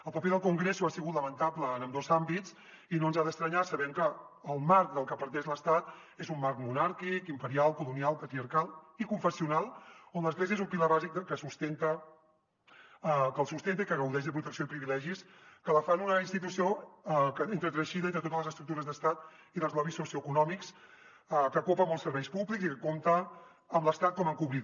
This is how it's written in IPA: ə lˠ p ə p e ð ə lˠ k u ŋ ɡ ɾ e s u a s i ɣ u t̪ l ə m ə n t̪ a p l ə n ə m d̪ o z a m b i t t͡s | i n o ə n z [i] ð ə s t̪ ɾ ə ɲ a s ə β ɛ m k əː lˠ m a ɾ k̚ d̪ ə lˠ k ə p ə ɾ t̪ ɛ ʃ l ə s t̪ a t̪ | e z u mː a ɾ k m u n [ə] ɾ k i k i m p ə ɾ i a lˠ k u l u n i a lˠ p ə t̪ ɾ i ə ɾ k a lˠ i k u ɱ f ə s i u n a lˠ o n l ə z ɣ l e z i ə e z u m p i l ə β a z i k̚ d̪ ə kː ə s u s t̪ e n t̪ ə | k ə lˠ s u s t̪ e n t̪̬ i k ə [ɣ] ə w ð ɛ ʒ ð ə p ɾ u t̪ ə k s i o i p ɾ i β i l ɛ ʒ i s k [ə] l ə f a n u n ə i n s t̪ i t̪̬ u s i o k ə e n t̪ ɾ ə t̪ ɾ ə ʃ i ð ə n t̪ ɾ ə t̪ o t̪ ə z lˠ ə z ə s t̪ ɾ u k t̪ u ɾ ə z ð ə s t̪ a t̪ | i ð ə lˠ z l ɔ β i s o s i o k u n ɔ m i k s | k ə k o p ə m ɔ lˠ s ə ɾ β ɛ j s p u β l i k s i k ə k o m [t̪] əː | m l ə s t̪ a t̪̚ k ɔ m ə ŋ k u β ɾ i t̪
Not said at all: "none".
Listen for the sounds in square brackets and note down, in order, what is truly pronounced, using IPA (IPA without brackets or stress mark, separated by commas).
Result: a, a, ɣ, ə, t̪